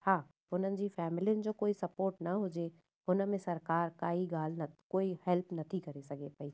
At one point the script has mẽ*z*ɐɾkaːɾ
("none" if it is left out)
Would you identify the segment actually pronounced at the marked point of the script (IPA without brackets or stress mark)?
s